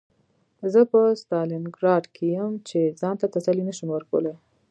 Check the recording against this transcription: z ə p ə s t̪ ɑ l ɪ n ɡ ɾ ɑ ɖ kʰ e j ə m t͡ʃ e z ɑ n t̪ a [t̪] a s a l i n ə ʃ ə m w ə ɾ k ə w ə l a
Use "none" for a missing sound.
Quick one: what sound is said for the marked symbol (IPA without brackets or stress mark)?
t̪